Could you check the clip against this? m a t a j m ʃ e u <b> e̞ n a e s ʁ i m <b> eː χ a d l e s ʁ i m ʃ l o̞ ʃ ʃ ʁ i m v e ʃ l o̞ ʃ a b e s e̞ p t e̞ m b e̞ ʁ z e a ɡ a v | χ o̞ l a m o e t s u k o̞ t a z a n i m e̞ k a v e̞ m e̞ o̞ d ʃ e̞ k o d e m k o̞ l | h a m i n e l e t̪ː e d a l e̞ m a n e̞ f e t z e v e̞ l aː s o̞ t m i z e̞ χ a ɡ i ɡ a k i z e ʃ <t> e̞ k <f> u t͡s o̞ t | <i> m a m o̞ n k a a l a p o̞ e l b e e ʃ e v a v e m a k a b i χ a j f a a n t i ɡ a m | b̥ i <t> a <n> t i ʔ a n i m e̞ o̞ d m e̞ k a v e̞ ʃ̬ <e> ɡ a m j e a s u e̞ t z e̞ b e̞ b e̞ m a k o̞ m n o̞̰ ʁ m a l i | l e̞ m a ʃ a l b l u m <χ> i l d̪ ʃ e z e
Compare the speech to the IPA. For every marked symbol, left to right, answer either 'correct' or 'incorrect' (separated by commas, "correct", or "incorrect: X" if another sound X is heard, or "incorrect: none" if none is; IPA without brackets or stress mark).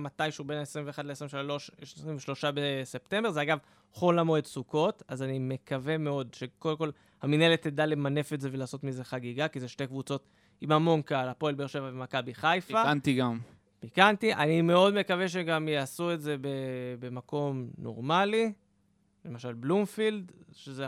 correct, incorrect: v, correct, incorrect: v, correct, incorrect: k, correct, correct, incorrect: f